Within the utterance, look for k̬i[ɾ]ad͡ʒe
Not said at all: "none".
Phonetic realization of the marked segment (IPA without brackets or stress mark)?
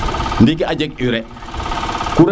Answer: none